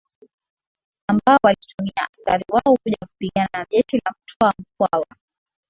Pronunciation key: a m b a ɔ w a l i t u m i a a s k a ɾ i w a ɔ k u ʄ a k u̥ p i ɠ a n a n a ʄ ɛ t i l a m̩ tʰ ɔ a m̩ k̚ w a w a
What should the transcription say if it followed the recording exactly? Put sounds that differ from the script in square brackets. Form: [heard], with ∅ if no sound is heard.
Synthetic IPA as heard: a m b a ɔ w a l i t u m i a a s k a ɾ i w a ɔ k u ʄ a k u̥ p i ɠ a n a n a ʄ ɛ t i l a m̩ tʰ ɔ a m̩ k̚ w a w a

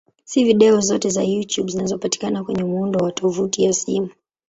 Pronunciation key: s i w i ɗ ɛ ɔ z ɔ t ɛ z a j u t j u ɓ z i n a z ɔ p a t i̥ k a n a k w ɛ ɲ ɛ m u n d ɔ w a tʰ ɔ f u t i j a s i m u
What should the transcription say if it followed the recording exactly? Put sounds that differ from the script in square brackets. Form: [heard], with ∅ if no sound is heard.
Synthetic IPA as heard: s i [v] i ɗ ɛ ɔ z ɔ t ɛ z a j u t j u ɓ z i n a z ɔ p a t i̥ k a n a k w ɛ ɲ ɛ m u n d ɔ w a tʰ ɔ [v] u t i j a s i m u

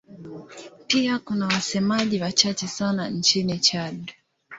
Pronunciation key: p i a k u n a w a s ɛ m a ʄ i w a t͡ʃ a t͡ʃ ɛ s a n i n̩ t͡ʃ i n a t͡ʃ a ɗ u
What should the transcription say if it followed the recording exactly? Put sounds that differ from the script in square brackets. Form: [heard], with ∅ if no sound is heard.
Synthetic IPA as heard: p i a k u n a w a s ɛ m a ʄ i w a t͡ʃ a t͡ʃ ɛ s a n [a] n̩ t͡ʃ i n [i] t͡ʃ a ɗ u

